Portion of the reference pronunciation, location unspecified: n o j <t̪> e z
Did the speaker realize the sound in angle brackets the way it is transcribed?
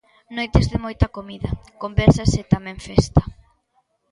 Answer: yes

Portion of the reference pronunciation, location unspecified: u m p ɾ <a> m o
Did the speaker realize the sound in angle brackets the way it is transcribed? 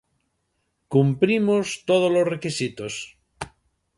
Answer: no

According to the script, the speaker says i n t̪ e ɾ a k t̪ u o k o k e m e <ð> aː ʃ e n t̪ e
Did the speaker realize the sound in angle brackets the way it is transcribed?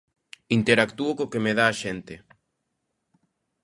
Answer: yes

